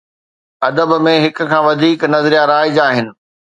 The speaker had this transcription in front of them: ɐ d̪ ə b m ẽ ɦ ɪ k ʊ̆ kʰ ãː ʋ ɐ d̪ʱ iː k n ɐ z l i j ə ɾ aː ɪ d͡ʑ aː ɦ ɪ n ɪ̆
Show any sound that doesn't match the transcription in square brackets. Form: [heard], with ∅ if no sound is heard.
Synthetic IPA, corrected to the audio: ɐ d̪ ə b m ẽ ɦ ɪ k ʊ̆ kʰ ãː ʋ ɐ d̪ʱ iː k n ɐ z [ɾ] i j [a] ɾ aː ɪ d͡ʑ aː ɦ ɪ n ɪ̆